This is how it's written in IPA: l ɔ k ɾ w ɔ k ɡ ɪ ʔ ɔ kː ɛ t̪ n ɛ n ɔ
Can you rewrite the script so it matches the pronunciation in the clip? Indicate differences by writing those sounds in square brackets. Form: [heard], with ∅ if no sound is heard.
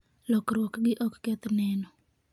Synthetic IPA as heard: l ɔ k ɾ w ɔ k ɡ ɪ ʔ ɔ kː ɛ t̪ n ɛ n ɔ